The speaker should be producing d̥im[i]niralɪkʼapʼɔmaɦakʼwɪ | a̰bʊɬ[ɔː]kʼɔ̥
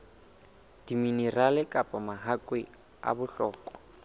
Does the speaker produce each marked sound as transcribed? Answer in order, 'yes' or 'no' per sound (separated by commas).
yes, yes